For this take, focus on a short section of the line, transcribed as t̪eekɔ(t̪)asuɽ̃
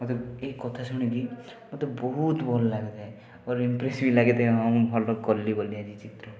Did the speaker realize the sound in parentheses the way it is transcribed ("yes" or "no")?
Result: no